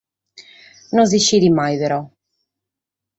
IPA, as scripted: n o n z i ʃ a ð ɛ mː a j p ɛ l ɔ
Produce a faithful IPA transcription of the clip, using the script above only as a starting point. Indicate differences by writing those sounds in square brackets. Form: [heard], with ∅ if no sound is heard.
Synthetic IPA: n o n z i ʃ [i] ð [i] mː a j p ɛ [ɾ] ɔ